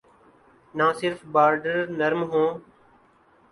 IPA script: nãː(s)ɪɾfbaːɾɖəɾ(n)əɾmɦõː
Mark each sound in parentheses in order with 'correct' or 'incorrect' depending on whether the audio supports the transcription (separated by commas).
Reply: correct, correct